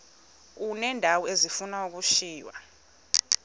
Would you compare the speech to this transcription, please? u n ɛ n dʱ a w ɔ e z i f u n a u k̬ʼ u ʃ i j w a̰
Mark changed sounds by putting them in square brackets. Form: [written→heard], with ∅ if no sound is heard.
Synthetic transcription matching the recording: u n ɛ n dʱ a w ɔ e z i f u n a u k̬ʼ u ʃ [i→iː] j w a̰